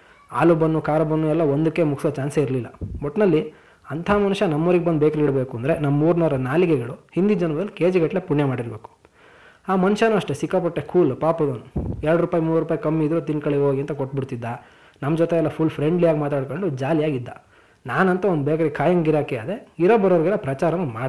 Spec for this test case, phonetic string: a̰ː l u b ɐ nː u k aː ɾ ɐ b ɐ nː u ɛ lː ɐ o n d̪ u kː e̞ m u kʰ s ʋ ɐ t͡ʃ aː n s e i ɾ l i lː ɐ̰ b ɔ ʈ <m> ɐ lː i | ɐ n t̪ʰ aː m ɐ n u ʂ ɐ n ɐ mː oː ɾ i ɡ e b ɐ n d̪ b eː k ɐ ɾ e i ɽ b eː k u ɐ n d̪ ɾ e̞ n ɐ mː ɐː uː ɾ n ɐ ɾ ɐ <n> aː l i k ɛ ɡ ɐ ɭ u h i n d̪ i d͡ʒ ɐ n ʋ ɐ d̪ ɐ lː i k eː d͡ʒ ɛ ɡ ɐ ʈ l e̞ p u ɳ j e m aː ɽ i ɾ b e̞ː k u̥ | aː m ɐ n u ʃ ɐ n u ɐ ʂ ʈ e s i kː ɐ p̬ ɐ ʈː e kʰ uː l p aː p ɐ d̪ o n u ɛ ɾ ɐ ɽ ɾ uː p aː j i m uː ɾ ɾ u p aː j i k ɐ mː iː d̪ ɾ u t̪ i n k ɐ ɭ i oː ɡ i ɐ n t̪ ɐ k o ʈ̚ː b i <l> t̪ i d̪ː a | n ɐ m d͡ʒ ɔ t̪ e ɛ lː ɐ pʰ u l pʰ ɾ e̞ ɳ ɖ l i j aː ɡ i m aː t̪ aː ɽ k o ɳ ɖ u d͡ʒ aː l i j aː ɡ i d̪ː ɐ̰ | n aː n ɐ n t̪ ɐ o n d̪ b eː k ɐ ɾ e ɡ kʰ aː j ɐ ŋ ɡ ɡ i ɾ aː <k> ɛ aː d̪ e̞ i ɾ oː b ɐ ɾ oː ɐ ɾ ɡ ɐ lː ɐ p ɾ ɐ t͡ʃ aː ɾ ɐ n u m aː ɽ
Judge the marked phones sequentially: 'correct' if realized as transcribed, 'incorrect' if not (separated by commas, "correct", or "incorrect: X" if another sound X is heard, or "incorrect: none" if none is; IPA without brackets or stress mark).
incorrect: n, correct, incorrect: ɽ, correct